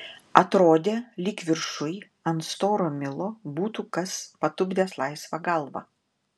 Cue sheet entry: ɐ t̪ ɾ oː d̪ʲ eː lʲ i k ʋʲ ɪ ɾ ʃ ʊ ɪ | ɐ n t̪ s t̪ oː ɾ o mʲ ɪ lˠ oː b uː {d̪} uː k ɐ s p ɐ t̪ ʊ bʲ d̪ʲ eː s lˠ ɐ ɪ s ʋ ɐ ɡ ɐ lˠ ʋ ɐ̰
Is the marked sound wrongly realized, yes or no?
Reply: yes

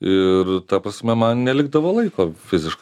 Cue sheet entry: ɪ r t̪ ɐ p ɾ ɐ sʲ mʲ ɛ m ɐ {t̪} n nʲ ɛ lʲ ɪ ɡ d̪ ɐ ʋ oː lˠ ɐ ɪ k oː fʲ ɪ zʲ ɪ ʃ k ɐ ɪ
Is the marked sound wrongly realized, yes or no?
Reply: yes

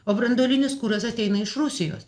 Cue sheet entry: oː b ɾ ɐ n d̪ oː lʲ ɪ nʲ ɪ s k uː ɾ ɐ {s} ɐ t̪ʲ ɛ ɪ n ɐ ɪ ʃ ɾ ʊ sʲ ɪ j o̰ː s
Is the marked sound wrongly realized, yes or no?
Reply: no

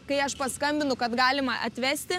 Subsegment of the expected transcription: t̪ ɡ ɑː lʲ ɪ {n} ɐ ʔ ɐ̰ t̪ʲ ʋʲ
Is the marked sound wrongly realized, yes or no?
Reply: yes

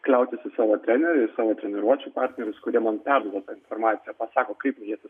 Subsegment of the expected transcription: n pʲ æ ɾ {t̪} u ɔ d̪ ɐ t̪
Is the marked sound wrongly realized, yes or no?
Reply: yes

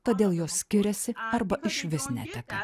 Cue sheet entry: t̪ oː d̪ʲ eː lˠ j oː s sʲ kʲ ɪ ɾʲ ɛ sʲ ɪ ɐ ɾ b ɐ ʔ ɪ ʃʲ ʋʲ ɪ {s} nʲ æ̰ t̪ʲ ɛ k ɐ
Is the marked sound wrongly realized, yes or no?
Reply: no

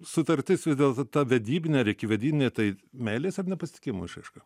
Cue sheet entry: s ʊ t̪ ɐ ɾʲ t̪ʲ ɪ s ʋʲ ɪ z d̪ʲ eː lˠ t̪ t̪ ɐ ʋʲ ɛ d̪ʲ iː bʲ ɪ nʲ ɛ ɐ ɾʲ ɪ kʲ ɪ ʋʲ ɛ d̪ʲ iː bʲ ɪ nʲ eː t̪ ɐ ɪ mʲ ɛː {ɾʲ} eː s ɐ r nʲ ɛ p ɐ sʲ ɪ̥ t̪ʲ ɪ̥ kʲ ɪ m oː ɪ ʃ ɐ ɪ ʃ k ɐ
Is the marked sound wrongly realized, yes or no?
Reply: yes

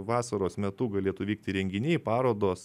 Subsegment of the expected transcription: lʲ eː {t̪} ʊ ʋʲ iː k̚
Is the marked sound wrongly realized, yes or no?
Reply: no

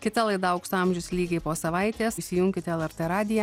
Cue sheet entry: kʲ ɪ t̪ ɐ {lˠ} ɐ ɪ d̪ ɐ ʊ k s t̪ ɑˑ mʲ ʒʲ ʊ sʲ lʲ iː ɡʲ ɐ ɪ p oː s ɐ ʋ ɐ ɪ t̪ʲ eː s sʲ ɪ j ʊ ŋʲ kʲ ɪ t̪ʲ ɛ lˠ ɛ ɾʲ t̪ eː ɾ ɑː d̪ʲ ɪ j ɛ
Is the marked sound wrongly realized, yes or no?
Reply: no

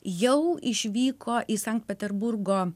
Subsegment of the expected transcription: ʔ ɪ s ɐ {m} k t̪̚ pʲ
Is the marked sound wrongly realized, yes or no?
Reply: yes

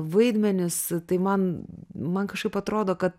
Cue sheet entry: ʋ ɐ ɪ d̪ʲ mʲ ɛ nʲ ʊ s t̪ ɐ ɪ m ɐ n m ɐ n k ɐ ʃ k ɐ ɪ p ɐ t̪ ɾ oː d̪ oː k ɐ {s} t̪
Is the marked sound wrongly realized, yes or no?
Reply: yes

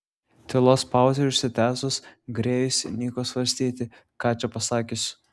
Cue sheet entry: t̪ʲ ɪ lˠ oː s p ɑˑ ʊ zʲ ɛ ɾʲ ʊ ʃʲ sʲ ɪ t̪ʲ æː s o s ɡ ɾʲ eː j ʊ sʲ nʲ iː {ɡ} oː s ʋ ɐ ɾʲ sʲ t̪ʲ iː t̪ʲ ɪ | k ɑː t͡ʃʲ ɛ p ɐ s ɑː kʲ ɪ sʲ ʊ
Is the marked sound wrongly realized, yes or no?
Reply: yes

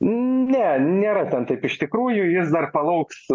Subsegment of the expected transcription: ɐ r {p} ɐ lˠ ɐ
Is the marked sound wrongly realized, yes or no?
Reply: no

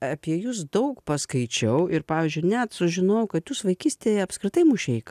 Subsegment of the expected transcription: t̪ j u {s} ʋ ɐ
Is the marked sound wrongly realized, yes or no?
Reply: no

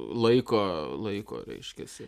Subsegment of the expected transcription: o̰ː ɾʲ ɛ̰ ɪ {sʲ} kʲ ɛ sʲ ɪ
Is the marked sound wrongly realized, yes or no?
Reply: yes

